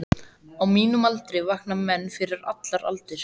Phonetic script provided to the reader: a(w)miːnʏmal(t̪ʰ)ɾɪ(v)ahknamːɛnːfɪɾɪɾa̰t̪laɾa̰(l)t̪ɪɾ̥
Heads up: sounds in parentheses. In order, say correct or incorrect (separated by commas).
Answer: correct, incorrect, correct, correct